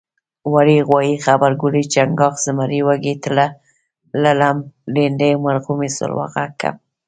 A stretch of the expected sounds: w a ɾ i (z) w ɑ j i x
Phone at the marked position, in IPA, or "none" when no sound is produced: ɣ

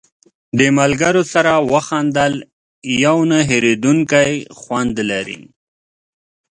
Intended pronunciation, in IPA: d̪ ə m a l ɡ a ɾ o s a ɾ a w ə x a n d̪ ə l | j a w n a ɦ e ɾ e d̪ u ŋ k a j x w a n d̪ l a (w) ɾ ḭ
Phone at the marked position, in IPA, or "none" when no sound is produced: none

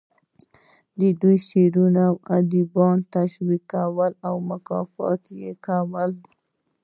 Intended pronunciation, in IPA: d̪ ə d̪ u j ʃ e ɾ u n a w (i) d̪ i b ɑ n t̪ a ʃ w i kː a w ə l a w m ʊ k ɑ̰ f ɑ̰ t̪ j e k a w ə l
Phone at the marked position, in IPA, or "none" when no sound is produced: a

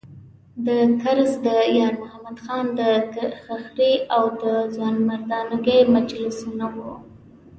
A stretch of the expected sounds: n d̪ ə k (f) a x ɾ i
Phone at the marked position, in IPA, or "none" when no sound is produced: x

